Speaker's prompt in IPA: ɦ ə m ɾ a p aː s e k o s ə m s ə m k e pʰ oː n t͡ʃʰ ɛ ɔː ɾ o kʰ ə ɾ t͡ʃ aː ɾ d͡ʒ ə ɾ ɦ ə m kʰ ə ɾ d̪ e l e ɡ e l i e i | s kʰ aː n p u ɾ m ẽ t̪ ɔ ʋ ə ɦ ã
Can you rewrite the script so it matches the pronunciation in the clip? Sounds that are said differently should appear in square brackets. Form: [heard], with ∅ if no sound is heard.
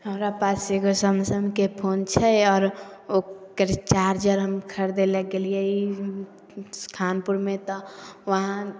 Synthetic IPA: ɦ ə m ɾ a p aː s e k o s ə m s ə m k e pʰ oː n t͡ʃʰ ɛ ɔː ɾ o [k] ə ɾ t͡ʃ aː ɾ d͡ʒ ə ɾ ɦ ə m kʰ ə ɾ d̪ e l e ɡ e l i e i | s kʰ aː n p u ɾ m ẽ t̪ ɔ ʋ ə ɦ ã